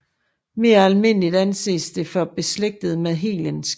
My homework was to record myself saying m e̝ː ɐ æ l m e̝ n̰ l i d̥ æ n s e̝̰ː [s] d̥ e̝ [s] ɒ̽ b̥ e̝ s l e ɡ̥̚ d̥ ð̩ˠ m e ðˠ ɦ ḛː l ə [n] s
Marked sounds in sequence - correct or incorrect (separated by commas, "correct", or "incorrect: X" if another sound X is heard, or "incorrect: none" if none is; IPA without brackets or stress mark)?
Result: correct, incorrect: f, correct